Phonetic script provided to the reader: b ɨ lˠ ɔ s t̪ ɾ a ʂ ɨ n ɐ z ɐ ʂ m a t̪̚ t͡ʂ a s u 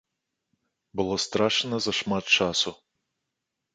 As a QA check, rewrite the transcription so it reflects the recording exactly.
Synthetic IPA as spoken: b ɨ lˠ ɔ s t̪ ɾ a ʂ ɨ n ɐ z ɐ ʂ m a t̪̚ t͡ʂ a s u